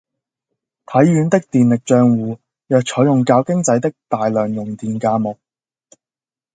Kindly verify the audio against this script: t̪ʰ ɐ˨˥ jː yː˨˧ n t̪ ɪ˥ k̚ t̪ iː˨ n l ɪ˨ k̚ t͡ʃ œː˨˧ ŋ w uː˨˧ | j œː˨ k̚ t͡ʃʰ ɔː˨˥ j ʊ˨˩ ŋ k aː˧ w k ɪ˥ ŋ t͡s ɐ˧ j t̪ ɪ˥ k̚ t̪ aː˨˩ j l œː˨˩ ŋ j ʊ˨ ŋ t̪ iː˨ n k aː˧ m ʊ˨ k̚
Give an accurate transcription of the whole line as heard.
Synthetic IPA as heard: t̪ʰ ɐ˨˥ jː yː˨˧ n t̪ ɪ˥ k̚ t̪ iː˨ n l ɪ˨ k̚ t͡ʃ œː˨˧ ŋ w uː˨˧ | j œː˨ k̚ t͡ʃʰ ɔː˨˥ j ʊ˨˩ ŋ k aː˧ w k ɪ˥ ŋ t͡s ɐ˨˥ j t̪ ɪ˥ k̚ t̪ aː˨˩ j l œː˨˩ ŋ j ʊ˨ ŋ t̪ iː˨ n k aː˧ m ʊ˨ k̚